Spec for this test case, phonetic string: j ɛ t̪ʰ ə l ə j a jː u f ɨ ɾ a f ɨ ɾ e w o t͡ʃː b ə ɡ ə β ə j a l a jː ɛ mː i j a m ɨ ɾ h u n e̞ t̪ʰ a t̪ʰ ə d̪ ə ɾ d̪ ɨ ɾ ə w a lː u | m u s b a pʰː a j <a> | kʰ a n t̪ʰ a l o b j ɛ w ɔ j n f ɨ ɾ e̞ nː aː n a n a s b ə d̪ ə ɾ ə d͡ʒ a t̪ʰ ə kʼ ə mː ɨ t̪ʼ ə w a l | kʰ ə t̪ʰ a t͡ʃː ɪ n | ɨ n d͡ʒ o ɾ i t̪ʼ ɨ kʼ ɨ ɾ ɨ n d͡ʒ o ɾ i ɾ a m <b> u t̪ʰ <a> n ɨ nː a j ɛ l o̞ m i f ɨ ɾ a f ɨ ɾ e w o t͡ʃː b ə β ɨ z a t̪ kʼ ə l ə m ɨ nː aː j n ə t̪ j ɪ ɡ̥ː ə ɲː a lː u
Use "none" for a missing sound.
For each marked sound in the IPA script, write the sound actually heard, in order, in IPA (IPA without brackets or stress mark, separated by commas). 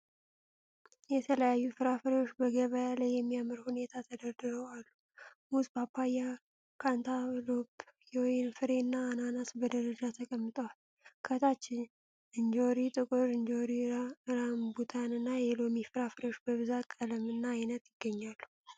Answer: a, b, a